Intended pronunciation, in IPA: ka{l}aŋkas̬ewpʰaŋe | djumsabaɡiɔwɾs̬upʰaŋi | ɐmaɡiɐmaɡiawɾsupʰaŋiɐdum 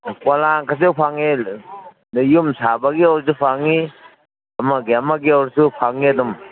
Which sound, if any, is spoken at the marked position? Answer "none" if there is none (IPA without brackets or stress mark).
l